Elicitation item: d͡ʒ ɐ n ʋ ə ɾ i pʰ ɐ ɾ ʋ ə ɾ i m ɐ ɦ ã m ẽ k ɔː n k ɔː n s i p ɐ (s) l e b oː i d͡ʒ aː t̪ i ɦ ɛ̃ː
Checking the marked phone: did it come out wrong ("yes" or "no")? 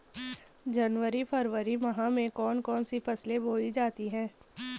no